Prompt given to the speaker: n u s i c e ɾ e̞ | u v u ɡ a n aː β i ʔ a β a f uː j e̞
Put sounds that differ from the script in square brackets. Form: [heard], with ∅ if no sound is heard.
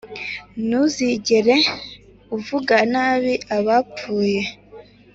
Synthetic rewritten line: n u [z] i [ɟ] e ɾ e̞ | u v u ɡ a n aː β i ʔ a β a [p͡f] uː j e̞